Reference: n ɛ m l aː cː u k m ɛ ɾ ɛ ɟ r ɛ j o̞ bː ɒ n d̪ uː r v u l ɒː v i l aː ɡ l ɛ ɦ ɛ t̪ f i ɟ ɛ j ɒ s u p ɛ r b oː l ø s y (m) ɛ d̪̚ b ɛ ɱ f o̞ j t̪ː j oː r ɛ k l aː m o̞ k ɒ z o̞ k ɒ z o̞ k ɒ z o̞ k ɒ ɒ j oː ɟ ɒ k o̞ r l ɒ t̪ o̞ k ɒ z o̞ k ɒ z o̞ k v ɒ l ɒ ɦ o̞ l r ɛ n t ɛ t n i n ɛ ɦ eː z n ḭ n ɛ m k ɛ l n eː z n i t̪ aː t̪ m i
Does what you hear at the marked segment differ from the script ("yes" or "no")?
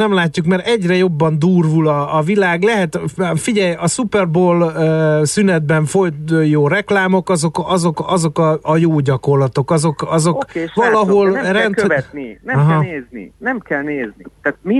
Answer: yes